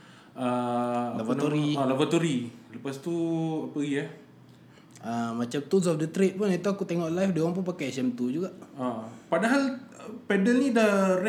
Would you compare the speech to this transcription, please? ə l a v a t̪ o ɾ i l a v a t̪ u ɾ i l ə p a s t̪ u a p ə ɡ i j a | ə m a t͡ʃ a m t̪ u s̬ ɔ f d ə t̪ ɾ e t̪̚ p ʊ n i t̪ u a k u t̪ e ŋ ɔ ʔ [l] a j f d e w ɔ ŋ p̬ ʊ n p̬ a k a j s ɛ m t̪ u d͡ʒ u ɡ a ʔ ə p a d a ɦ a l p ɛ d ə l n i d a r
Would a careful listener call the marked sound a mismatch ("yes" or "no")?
no